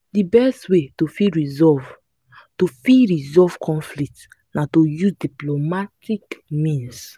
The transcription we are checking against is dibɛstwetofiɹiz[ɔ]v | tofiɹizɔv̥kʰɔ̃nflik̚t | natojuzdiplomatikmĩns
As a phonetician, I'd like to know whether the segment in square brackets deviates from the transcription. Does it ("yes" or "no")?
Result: no